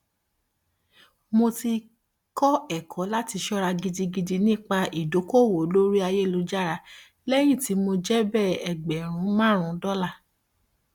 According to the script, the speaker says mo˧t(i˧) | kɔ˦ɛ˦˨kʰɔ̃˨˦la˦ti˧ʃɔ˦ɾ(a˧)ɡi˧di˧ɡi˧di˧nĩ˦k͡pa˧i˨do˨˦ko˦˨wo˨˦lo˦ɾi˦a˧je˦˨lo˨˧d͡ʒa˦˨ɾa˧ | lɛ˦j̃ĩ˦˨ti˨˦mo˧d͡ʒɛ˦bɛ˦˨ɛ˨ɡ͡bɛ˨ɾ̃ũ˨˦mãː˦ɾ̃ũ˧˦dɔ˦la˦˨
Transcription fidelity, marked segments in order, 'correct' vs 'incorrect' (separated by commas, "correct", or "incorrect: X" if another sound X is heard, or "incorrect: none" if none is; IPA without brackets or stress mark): correct, correct